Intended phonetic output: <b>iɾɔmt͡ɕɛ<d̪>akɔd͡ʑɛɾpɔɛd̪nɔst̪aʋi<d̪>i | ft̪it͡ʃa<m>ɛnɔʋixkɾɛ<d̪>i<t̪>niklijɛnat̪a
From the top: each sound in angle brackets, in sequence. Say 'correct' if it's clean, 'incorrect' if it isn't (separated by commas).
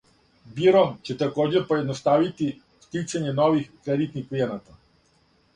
correct, incorrect, incorrect, incorrect, correct, correct